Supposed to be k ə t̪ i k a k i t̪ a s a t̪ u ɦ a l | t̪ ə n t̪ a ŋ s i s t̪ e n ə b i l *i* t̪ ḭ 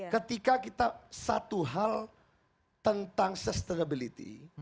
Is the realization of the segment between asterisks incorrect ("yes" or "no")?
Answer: no